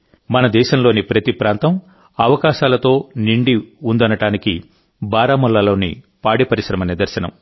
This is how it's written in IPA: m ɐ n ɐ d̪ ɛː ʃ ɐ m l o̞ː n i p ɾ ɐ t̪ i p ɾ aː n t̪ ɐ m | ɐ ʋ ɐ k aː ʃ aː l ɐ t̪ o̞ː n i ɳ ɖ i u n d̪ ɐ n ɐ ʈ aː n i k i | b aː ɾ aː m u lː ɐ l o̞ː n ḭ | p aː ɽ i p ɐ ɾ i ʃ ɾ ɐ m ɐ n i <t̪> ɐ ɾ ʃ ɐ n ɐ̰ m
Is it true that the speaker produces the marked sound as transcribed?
no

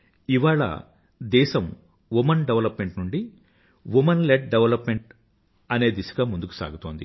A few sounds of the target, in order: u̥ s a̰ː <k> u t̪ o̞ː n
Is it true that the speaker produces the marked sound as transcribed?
no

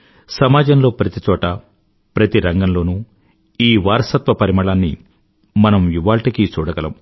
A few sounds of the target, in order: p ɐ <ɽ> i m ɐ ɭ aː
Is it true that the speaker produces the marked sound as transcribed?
no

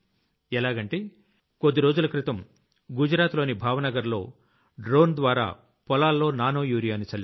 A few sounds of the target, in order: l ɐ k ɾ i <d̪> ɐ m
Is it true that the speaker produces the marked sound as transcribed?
no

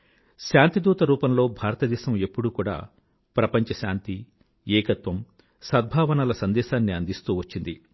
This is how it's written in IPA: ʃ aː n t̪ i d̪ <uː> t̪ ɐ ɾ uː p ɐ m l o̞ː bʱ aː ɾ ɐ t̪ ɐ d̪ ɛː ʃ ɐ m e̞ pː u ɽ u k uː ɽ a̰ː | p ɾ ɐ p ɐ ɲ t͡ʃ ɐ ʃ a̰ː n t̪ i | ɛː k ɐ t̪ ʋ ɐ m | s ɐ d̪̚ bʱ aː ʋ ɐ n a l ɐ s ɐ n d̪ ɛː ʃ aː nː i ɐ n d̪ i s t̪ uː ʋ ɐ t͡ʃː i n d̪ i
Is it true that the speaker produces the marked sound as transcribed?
yes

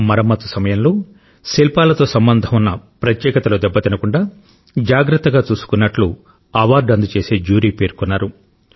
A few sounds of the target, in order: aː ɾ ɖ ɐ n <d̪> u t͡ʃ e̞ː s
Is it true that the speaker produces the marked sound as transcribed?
yes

